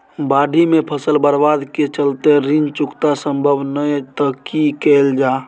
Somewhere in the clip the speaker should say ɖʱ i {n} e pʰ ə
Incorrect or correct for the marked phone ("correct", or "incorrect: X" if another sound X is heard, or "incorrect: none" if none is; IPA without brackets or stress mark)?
incorrect: m